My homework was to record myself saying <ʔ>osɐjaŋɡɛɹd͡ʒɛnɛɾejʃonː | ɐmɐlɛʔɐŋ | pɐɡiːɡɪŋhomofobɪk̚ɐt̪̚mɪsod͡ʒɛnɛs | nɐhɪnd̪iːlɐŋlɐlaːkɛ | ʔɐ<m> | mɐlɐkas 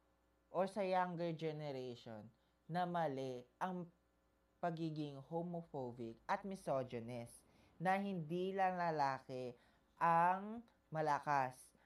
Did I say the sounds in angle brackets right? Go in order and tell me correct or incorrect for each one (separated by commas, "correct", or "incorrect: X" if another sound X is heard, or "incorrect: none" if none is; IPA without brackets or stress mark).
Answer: correct, incorrect: ŋ